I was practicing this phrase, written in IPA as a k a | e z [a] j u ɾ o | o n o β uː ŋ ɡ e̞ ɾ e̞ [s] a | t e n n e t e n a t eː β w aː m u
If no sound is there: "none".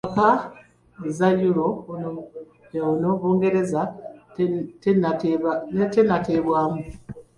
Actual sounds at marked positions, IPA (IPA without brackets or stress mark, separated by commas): a, z